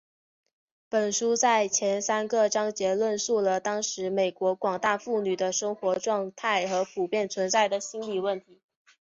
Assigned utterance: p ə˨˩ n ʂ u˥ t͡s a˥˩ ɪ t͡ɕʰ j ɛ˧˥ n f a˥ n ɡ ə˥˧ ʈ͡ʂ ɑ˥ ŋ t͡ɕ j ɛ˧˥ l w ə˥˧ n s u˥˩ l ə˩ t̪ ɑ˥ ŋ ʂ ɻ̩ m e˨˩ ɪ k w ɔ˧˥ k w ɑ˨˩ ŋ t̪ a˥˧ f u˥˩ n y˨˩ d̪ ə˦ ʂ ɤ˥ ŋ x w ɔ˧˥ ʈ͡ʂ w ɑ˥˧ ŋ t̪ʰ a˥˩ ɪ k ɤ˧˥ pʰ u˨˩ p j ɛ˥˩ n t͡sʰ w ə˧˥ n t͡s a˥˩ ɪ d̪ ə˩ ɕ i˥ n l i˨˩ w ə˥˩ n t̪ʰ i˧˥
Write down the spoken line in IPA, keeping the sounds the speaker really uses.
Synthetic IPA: p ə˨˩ n ʂ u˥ t͡s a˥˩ ɪ t͡ɕʰ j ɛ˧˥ n s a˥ n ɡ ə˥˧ ʈ͡ʂ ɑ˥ ŋ t͡ɕ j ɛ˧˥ l w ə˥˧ n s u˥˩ l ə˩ t̪ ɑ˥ ŋ ʂ ɻ̩ m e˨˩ ɪ k w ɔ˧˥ k w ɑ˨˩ ŋ t̪ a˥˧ f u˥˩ n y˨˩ d̪ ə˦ ʂ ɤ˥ ŋ x w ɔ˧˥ ʈ͡ʂ w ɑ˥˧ ŋ t̪ʰ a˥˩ ɪ x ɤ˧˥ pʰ u˨˩ p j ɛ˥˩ n t͡sʰ w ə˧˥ n t͡s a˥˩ ɪ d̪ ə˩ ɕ i˥ n l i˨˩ w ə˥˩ n t̪ʰ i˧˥